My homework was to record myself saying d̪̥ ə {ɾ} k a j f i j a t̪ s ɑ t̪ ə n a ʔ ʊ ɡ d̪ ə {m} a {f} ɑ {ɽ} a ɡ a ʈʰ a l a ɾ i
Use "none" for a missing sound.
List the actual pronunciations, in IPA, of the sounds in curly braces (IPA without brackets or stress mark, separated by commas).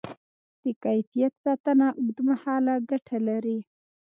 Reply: none, m, h, l